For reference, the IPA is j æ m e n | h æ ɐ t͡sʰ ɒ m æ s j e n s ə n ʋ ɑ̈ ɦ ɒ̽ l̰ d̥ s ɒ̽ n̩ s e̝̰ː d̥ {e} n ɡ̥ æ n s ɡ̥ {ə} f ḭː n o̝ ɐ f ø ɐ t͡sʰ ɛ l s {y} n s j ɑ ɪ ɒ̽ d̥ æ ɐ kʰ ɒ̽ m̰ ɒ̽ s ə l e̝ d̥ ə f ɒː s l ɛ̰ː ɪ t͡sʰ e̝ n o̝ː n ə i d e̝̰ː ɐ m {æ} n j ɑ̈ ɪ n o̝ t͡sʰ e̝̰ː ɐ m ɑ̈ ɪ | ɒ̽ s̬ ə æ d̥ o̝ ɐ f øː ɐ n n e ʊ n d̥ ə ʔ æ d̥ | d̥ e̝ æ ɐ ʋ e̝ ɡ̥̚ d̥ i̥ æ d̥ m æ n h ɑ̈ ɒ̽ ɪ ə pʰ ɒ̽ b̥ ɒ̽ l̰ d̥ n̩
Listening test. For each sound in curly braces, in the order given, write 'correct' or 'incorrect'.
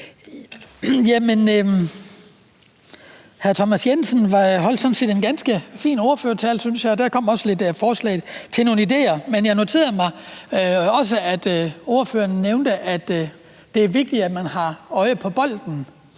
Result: correct, correct, correct, incorrect: e

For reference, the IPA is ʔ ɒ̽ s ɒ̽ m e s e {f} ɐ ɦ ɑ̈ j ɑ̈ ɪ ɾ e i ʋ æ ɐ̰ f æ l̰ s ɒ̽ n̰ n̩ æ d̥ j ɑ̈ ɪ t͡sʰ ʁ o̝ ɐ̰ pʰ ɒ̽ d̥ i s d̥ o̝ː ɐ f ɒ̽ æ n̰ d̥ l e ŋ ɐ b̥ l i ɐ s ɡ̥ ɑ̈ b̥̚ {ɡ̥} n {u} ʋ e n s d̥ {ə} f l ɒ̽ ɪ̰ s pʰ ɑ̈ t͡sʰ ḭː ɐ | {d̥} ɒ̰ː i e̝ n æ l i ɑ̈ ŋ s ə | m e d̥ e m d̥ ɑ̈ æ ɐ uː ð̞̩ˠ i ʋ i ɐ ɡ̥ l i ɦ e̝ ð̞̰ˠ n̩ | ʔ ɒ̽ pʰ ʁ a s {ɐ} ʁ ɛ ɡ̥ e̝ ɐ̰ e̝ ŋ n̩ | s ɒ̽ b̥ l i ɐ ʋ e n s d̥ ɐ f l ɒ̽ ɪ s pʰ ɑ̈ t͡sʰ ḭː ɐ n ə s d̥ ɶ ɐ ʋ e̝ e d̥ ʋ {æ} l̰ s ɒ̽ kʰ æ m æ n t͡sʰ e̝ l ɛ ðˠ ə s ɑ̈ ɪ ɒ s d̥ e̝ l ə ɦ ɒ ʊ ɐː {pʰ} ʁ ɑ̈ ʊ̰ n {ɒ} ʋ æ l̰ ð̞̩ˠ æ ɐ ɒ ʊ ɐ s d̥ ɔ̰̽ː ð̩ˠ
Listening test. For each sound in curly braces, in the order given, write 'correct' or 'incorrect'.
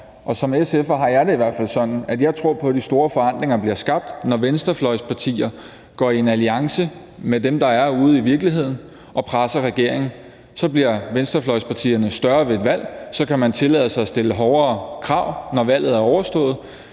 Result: correct, incorrect: d̥, incorrect: ɒ, incorrect: ɐ, incorrect: ɡ̥, correct, correct, incorrect: kʰ, correct

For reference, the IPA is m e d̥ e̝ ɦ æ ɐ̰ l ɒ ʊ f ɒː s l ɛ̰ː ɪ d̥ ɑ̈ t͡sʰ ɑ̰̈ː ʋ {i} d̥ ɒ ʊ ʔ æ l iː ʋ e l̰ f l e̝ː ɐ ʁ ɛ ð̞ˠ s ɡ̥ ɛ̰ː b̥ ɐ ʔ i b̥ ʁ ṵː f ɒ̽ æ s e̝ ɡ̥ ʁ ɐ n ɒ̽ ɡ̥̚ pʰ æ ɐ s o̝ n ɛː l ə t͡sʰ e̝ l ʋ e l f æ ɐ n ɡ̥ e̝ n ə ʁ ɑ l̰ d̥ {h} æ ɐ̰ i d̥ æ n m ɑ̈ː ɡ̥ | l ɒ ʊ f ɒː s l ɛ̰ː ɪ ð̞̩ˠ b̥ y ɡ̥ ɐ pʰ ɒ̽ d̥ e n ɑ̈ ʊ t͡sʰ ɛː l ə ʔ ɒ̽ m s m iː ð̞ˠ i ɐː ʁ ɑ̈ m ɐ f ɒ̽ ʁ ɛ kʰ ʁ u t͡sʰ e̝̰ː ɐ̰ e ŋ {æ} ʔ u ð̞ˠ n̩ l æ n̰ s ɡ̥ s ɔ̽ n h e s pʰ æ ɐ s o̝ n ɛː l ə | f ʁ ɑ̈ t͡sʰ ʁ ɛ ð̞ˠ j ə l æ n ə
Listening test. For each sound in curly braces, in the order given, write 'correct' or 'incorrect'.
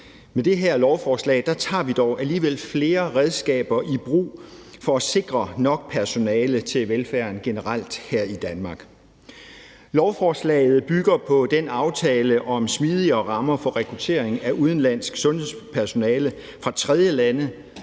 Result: correct, correct, correct

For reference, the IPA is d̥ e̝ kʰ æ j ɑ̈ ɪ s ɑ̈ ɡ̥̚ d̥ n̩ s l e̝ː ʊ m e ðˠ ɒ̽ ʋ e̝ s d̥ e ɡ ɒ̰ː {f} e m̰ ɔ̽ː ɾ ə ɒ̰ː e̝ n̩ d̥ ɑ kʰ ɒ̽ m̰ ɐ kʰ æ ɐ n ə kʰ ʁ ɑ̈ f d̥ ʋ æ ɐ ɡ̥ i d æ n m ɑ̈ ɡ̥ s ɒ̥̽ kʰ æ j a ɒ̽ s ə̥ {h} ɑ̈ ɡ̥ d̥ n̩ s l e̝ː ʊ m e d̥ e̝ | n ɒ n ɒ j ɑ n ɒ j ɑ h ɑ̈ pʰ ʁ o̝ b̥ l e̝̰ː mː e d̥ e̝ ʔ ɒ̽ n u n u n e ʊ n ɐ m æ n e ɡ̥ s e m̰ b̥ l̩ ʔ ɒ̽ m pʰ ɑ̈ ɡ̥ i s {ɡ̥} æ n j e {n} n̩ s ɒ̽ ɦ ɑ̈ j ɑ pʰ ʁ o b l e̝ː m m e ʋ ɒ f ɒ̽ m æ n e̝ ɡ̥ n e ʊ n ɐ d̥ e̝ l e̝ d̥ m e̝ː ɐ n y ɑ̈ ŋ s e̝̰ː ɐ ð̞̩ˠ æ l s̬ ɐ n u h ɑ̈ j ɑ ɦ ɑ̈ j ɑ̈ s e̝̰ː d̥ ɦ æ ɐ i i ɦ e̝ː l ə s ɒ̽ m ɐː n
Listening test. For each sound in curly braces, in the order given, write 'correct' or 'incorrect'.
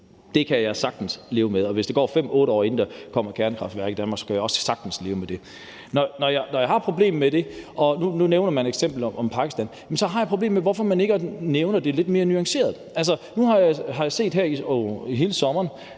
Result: correct, incorrect: s, incorrect: d̥, incorrect: m

